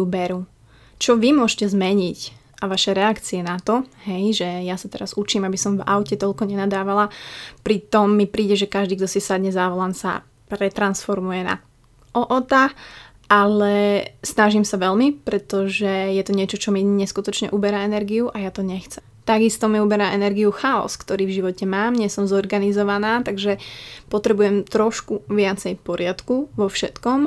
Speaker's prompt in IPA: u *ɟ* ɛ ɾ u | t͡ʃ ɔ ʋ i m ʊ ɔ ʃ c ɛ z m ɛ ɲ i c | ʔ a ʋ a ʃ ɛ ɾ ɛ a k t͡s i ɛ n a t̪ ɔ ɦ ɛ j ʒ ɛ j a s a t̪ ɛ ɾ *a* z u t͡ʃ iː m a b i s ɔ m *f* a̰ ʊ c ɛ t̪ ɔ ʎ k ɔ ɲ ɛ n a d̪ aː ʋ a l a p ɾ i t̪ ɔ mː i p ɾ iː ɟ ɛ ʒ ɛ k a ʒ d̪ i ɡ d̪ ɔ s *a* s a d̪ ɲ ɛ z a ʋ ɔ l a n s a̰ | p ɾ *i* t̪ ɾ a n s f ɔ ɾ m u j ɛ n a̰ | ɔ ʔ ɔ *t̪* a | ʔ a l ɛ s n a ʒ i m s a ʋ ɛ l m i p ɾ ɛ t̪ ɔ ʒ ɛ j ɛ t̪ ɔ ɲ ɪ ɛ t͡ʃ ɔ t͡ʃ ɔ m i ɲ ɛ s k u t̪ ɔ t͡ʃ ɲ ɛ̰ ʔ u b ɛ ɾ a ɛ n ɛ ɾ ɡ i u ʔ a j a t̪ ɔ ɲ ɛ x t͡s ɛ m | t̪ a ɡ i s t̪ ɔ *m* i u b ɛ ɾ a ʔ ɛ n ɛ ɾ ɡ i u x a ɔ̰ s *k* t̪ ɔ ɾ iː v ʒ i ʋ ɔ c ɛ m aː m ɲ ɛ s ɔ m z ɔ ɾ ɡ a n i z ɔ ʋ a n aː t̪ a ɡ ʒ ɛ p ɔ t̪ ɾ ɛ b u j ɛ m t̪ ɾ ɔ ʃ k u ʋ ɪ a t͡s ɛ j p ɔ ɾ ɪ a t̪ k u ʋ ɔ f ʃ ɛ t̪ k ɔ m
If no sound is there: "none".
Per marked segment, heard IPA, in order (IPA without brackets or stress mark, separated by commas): b, a, v, i, ɛ, t̪, m, k